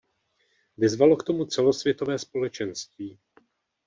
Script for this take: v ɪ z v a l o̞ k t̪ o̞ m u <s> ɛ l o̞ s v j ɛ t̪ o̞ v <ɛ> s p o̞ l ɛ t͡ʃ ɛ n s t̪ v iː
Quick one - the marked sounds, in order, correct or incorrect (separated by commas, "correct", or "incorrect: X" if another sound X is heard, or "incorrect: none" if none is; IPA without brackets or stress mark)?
incorrect: t͡s, incorrect: ɛː